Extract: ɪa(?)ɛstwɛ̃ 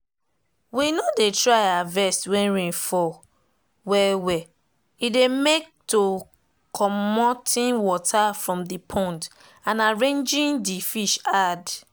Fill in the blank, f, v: v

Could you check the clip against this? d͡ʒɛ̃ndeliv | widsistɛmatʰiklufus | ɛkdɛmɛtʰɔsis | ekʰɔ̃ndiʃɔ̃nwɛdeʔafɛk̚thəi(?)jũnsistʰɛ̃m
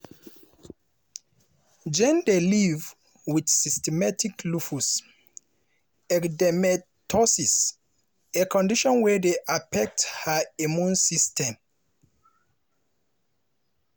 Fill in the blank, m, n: m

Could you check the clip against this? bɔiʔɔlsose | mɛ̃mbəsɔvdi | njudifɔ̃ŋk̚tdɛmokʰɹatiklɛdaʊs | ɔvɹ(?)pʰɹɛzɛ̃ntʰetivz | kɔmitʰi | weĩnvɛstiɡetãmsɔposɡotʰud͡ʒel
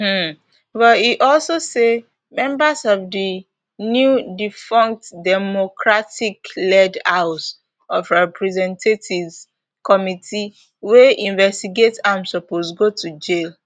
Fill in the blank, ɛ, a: ɛ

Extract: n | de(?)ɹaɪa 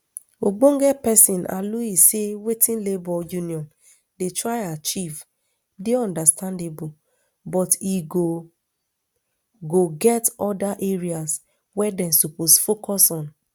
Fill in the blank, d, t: t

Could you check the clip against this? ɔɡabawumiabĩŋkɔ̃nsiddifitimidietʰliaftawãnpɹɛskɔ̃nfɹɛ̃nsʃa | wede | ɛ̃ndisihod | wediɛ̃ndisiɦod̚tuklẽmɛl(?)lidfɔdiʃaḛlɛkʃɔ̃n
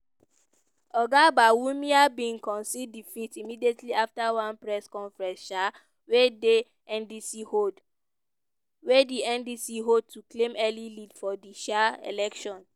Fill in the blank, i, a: i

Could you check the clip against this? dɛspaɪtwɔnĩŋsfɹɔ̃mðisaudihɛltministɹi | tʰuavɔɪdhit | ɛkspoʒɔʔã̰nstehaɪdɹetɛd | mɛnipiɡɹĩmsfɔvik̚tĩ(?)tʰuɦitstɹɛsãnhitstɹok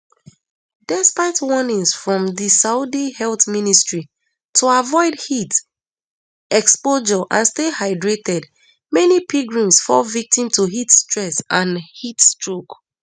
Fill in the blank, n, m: m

